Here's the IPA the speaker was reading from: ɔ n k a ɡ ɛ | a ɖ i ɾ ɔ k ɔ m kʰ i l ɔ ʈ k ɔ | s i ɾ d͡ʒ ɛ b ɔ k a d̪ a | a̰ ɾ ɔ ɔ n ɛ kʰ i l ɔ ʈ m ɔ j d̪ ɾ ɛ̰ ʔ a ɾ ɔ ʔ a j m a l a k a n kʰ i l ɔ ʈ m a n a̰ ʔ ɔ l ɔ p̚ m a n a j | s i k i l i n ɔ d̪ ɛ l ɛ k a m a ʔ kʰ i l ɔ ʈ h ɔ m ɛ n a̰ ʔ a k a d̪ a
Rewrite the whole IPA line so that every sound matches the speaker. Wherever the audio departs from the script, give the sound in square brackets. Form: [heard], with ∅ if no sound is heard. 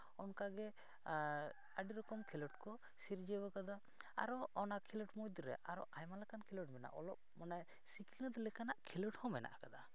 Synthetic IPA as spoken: ɔ n k a ɡ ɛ | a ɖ i ɾ ɔ k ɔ m kʰ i l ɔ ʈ k ɔ | s i ɾ d͡ʒ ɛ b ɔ k a d̪ a | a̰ ɾ ɔ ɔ n [a] kʰ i l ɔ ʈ m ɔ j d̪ ɾ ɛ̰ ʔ a ɾ ɔ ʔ a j m a l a k a n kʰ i l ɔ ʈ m [ɛ] n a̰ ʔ ɔ l ɔ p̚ m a n a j | s i k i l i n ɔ d̪ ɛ l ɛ k a [n] a ʔ kʰ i l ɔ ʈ h ɔ m ɛ n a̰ ʔ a k a d̪ a